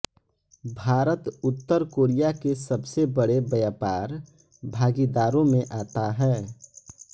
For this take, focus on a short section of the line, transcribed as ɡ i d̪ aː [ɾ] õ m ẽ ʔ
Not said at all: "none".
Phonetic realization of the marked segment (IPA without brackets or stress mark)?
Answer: ɾ